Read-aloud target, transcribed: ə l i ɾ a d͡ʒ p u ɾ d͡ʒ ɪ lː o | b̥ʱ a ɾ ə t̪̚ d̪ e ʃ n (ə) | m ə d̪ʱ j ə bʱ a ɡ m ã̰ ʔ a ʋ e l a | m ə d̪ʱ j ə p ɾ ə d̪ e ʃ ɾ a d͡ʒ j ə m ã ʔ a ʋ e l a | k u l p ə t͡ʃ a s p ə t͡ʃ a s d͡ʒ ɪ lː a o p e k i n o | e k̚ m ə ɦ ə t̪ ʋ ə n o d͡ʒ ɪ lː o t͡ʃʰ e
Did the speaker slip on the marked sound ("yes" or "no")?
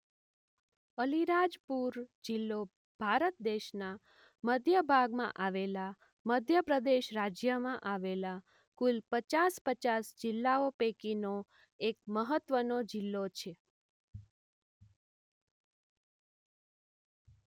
yes